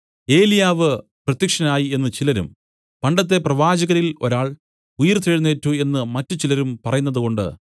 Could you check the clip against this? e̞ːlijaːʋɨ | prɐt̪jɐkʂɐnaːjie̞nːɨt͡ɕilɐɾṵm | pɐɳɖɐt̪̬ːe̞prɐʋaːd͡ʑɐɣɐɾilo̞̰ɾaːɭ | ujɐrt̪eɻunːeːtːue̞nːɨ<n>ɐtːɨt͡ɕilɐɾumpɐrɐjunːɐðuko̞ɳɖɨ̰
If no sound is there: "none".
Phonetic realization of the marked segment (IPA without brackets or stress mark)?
m